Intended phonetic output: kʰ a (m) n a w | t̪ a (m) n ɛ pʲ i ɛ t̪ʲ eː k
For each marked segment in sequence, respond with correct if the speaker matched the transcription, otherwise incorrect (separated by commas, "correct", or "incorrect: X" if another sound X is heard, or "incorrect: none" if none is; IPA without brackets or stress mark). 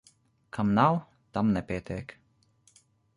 correct, correct